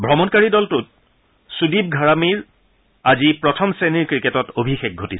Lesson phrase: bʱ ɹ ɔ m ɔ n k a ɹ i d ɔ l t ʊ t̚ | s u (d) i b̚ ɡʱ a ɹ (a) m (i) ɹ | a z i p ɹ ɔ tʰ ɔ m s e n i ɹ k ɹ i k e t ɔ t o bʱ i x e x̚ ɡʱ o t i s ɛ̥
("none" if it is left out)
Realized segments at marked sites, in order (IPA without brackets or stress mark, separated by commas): d, a, i